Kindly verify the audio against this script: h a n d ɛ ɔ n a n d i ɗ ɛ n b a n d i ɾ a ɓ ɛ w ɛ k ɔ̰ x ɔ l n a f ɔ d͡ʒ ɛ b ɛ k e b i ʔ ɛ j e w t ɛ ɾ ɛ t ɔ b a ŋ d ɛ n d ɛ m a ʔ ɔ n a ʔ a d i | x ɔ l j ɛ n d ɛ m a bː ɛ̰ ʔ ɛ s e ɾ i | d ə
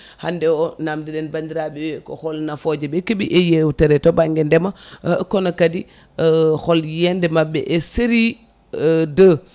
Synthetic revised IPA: h a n d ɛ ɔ n a m d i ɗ ɛ n b a n d i ɾ a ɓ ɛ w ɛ k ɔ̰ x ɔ l n a f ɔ d͡ʒ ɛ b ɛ k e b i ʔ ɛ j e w t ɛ ɾ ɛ t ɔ b a ŋ ɡ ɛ n d ɛ m a k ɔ n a k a d i | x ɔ l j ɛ n d ɛ m a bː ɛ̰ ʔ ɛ s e ɾ i | d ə